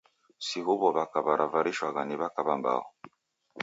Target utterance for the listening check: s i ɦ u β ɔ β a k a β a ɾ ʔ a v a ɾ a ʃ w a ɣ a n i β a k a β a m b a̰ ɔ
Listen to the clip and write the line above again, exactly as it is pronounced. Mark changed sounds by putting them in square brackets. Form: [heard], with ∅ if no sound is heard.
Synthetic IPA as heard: s i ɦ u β ɔ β a k a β a ɾ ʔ a v a ɾ [i] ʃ w a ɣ a n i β a k a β a m b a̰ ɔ